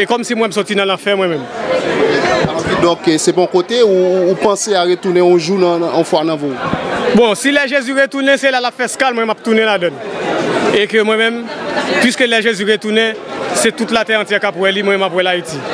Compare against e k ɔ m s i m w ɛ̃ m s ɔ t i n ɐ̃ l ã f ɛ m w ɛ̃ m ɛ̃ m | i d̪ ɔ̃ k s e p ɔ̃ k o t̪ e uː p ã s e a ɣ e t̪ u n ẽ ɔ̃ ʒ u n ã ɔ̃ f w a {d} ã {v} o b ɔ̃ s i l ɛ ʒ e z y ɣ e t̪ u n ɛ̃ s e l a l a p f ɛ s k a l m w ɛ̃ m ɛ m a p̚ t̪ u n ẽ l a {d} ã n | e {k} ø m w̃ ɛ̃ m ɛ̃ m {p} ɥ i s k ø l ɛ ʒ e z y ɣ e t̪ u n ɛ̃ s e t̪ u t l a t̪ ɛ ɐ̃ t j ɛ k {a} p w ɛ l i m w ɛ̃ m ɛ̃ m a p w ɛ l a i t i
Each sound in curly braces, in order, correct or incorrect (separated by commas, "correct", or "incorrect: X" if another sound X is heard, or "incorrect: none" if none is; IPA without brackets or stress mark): incorrect: n, correct, correct, correct, correct, correct